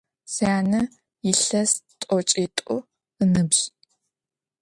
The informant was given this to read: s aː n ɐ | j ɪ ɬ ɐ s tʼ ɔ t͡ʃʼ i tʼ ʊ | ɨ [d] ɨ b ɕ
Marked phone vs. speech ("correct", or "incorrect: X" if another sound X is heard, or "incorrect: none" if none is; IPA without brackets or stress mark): incorrect: n